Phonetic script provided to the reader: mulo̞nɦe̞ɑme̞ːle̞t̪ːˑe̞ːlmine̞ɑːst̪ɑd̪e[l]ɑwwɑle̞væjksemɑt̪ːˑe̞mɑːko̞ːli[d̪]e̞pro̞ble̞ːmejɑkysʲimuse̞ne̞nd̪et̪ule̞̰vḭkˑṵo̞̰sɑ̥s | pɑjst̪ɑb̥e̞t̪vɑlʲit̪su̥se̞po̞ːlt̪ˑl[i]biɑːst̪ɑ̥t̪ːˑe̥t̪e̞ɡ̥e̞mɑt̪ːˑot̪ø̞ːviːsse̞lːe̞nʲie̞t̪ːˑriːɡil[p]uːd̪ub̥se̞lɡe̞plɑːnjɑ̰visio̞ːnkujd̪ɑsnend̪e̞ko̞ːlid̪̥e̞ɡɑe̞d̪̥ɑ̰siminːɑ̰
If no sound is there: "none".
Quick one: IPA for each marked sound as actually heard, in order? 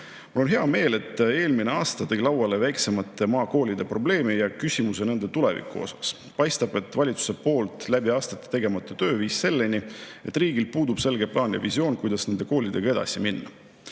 l, d̪, æ, p

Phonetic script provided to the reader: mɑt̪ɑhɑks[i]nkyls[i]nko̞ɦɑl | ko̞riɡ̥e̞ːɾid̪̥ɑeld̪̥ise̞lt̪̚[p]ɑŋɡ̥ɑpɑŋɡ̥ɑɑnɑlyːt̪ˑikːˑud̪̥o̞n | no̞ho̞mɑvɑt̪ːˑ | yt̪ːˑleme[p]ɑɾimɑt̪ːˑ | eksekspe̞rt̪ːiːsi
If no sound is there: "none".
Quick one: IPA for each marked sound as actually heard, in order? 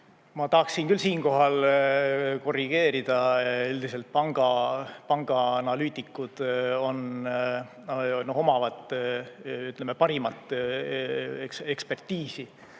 i, iː, p, p

